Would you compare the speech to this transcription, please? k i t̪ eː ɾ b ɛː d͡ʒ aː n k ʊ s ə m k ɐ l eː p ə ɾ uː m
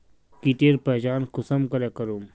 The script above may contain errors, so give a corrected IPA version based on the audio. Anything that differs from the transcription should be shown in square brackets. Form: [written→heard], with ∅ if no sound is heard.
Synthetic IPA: k i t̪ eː ɾ [b→p] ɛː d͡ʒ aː n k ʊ s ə m k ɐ [l→ɾ] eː [p→k] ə ɾ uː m